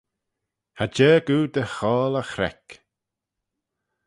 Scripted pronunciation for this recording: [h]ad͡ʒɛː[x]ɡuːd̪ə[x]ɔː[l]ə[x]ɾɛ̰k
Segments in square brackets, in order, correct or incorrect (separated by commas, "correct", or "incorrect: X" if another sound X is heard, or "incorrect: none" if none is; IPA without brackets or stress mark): correct, incorrect: none, correct, correct, correct